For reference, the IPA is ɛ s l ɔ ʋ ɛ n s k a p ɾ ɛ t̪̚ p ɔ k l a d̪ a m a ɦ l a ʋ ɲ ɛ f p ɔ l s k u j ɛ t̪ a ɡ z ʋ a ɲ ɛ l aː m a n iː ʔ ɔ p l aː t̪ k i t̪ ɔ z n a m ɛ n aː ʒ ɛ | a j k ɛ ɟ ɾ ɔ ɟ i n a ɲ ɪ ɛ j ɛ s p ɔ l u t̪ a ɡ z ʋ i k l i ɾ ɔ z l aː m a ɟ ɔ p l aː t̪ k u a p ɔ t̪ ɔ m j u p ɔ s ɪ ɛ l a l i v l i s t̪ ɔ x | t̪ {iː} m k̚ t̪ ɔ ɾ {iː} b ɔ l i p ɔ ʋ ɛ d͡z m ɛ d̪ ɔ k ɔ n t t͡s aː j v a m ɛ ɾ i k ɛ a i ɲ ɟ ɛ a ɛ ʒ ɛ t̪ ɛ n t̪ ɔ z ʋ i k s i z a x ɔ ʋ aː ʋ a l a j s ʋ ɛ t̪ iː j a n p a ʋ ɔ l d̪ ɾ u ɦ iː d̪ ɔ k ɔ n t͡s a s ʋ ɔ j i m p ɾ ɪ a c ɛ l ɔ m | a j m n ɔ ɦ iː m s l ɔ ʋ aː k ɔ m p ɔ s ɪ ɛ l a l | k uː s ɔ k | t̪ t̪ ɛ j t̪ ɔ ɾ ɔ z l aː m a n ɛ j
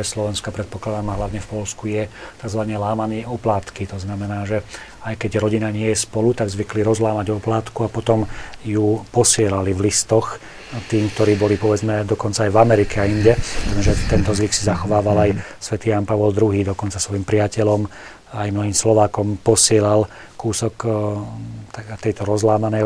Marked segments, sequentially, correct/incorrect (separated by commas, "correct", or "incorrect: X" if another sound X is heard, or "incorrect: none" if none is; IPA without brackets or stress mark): correct, correct